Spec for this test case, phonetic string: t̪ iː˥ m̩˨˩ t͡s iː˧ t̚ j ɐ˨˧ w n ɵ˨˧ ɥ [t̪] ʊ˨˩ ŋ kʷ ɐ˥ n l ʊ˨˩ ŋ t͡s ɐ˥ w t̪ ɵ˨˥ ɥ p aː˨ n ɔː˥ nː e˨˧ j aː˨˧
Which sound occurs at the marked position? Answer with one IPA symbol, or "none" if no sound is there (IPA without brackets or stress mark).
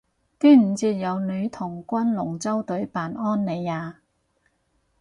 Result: t̪ʰ